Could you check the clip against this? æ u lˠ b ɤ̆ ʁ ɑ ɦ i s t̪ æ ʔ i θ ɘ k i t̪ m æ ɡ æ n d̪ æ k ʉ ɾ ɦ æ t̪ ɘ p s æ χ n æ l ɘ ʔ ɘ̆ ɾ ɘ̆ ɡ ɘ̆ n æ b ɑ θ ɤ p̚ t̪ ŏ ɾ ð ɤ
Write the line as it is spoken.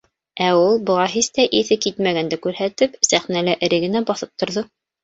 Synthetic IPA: æ u lˠ b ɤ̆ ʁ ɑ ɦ i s t̪ æ ʔ i θ ɘ k i t̪ m æ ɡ æ n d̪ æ k ʉ ɾ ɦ æ t̪ ɘ p s æ χ n æ l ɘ ʔ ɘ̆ ɾ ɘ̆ ɡ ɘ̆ n æ b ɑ θ ɤ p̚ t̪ ŏ ɾ ð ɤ